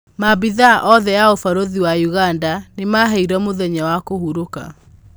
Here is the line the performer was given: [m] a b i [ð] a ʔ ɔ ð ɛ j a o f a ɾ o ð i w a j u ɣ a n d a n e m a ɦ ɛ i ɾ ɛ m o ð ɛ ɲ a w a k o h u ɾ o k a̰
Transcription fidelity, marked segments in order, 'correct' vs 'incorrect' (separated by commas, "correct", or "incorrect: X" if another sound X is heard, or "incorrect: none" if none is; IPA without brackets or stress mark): correct, correct